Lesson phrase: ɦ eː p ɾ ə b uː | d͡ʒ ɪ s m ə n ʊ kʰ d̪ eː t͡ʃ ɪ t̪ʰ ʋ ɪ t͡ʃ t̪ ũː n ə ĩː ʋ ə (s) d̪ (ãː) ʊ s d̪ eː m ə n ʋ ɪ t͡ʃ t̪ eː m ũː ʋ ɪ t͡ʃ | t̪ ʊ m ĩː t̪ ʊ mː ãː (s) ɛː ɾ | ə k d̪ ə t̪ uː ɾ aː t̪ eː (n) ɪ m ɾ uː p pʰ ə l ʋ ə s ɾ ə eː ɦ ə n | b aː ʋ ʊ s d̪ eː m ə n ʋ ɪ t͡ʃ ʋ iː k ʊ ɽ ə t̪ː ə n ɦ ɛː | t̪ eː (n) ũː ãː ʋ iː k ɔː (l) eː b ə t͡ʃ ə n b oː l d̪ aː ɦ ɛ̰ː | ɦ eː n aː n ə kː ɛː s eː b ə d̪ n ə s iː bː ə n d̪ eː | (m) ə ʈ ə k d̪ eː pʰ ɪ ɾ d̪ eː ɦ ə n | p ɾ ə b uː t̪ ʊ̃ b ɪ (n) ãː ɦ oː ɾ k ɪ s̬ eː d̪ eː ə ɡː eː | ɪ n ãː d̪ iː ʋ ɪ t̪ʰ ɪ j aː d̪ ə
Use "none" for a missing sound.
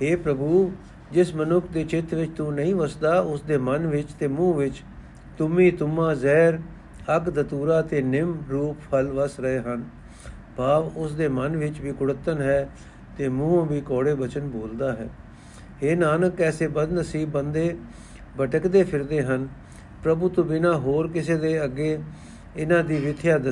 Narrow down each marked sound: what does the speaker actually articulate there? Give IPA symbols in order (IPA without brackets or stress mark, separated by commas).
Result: s, aː, z, n, m, ɽ, b, n